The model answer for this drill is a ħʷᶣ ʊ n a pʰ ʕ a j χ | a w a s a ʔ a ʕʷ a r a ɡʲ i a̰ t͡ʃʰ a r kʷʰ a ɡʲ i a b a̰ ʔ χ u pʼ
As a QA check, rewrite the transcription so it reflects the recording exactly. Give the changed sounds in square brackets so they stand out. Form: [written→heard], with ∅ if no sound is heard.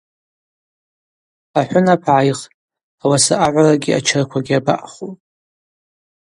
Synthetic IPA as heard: a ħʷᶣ ʊ n a pʰ ʕ a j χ | a w a s a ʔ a ʕʷ a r a ɡʲ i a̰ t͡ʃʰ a r kʷʰ a ɡʲ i a b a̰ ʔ χ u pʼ